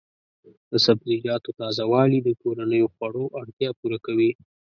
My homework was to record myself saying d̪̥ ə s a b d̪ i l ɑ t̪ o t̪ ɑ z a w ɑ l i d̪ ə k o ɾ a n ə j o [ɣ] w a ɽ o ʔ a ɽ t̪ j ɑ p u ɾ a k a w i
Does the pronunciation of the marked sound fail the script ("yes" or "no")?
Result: yes